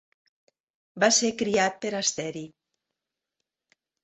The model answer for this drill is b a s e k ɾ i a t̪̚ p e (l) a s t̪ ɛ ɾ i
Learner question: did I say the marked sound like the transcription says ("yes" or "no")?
no